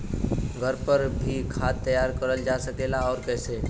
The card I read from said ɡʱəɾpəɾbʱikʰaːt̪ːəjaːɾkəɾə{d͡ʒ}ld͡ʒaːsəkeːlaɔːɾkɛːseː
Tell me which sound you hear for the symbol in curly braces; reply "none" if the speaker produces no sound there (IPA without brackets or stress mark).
none